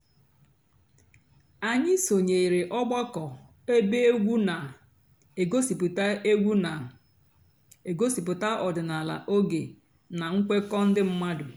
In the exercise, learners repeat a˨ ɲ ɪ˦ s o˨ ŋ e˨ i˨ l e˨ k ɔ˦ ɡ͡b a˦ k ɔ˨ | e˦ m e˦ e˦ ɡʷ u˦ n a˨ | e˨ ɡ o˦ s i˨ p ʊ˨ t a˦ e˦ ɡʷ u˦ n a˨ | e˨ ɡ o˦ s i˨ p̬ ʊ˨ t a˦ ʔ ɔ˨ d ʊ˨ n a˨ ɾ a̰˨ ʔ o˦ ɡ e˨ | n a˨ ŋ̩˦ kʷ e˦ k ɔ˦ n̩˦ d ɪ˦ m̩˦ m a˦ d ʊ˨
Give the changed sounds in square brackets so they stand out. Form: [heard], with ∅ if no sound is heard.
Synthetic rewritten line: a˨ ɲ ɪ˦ s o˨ [ɲ] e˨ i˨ [ɾ] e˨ [ʔ] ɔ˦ ɡ͡b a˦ k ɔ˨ | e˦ [b] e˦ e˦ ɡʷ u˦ n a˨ | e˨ ɡ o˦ s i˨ p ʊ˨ t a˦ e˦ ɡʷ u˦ n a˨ | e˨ ɡ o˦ s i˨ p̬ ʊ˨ t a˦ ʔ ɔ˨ d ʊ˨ n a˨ [l] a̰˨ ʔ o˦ ɡ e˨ | n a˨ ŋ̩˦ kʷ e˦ k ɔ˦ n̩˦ d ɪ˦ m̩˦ m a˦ d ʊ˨

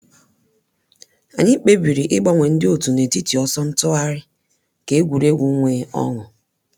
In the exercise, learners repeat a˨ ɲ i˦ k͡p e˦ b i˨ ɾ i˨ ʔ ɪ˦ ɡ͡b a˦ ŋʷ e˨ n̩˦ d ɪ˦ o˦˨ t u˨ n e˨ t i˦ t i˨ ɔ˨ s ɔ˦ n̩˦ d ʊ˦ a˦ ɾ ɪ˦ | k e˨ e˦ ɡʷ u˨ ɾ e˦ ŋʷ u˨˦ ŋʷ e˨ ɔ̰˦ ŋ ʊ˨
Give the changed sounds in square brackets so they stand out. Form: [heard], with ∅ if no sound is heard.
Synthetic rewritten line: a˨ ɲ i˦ k͡p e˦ b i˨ ɾ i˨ ʔ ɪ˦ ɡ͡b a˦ ŋʷ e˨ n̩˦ d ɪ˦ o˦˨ t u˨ n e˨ t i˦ t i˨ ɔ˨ s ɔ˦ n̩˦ [t] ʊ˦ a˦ ɾ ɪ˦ | k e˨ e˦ ɡʷ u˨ ɾ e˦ [ɡʷ] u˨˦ ŋʷ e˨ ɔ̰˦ ŋ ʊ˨

